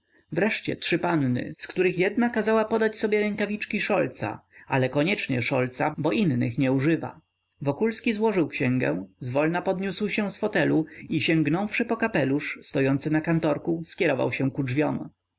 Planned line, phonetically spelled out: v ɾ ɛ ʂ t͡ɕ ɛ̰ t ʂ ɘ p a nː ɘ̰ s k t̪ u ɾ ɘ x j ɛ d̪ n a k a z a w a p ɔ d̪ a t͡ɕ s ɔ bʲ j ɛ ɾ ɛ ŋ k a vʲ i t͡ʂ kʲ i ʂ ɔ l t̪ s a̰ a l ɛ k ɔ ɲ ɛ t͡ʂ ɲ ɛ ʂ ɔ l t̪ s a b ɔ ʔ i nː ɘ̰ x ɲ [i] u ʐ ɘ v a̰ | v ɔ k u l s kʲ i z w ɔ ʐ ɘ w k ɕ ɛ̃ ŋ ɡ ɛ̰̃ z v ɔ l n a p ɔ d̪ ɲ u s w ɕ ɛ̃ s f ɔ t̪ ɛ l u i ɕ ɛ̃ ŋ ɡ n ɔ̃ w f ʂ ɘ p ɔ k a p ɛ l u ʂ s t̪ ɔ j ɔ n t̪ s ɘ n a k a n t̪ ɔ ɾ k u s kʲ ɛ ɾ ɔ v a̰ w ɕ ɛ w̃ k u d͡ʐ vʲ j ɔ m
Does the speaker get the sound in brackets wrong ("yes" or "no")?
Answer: yes